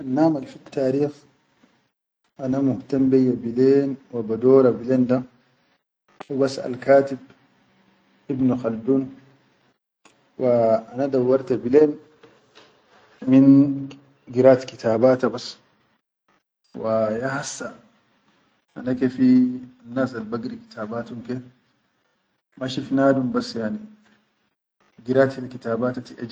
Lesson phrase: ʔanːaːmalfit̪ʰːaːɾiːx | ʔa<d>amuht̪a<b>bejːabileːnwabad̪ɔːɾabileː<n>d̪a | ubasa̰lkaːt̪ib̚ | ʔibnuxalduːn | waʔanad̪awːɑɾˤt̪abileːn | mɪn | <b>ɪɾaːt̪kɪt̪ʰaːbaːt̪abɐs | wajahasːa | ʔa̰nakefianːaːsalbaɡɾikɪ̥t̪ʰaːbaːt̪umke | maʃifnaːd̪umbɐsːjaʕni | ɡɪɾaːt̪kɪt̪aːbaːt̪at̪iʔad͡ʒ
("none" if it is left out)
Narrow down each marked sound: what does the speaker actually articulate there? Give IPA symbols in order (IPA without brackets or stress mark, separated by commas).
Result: n, m, n, ɡ